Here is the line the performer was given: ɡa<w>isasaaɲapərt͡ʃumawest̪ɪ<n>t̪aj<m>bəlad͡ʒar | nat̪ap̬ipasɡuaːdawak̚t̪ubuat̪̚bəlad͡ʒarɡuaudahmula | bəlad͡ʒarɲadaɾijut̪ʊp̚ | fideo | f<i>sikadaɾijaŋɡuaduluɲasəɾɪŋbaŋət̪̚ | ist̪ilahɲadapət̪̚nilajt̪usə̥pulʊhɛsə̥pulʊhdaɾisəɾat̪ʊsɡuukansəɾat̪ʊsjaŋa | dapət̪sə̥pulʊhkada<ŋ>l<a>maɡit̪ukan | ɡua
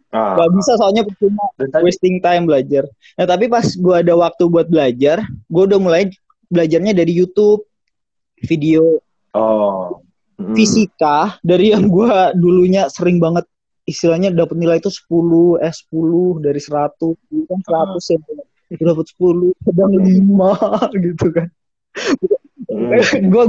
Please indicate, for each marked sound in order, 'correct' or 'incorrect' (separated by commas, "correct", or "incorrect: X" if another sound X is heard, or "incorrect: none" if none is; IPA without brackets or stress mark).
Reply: incorrect: b, incorrect: ŋ, correct, correct, correct, incorrect: i